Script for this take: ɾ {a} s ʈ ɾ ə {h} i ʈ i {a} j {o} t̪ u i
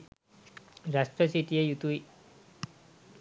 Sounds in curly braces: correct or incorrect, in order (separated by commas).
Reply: correct, incorrect, incorrect, incorrect